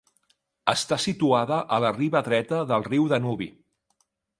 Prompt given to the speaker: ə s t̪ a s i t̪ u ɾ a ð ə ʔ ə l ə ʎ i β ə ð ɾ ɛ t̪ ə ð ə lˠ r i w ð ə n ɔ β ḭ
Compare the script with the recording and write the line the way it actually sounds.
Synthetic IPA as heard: ə s t̪ a s i t̪ u a ð ə ʔ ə l ə r i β ə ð ɾ ɛ t̪ ə ð ə lˠ r i w ð ə n u β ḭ